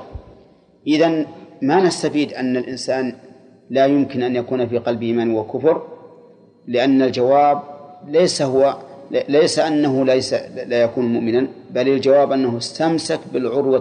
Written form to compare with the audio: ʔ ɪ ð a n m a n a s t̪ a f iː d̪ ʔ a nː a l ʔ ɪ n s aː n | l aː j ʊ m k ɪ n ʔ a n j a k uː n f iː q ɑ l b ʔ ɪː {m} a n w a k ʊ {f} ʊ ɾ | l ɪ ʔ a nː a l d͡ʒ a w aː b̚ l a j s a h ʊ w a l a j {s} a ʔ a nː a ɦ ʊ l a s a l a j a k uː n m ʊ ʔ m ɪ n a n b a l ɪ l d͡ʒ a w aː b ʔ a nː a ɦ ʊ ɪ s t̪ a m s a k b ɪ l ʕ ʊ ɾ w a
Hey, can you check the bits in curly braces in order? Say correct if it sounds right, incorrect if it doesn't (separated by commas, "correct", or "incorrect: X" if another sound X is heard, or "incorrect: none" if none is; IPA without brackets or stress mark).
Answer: correct, correct, correct